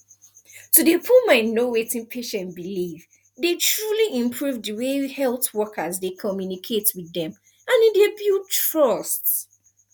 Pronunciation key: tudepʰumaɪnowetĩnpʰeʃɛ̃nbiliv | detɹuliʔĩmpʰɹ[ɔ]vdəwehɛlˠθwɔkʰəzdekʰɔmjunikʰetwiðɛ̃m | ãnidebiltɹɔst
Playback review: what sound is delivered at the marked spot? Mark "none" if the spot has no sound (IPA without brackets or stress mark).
u